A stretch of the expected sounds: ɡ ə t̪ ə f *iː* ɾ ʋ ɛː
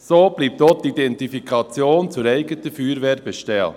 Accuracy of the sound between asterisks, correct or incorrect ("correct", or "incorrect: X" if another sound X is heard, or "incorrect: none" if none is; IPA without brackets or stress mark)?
incorrect: yː